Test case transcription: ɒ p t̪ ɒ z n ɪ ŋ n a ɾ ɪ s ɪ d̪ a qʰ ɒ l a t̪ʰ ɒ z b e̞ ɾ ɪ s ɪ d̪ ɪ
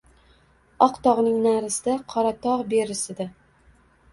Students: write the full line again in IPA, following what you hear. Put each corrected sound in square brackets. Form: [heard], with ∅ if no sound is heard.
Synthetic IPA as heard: ɒ [q] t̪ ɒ [ʁ] n ɪ ŋ n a ɾ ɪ s ɪ d̪ a qʰ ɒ [ɾ] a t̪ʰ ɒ [ʁ] b e̞ ɾ ɪ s ɪ d̪ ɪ